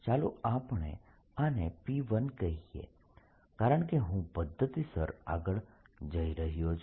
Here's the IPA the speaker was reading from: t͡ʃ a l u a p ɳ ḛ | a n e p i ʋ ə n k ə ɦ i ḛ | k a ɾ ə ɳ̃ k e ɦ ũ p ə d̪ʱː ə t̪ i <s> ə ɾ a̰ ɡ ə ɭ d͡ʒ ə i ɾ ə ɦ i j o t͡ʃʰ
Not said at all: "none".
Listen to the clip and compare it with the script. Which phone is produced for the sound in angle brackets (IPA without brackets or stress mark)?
s